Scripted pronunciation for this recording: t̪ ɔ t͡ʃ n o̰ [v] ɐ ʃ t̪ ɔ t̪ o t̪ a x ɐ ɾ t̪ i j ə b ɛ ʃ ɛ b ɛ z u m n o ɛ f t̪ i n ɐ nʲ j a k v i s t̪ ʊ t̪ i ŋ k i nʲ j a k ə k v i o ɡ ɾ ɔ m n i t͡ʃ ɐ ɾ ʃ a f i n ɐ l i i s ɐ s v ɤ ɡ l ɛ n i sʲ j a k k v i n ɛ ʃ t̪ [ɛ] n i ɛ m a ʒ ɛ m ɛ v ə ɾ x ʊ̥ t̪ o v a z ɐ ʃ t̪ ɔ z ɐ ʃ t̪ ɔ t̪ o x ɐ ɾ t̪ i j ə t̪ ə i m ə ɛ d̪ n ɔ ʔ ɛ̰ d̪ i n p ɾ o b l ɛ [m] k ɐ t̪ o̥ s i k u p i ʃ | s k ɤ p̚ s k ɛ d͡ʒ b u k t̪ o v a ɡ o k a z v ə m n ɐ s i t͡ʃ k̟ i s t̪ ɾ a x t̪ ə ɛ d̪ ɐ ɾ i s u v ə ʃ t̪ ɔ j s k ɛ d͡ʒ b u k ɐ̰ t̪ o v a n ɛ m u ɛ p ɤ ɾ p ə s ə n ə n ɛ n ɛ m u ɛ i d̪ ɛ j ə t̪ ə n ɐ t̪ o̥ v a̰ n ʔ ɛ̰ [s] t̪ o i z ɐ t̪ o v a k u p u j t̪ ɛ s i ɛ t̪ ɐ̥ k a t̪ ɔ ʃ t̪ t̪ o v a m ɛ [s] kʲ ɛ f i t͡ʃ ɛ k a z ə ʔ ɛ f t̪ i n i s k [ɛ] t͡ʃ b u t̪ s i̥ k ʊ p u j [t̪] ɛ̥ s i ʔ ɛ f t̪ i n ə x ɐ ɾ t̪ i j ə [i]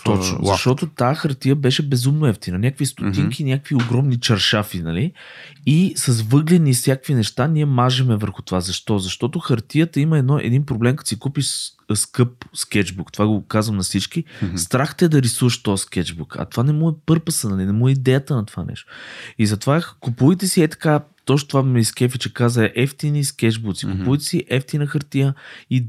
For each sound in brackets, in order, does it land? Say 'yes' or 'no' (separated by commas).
no, no, yes, no, yes, yes, yes, yes